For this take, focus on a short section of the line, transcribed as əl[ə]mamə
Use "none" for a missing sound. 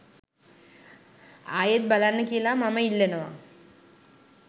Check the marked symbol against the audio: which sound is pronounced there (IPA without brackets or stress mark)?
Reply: a